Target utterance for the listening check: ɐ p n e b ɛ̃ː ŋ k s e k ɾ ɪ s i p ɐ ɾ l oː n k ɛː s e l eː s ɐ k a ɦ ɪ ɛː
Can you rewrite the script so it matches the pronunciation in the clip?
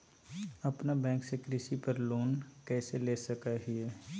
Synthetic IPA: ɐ p n a b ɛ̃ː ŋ k s e k ɾ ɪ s i p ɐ ɾ l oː n k ɛː s e l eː s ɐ k a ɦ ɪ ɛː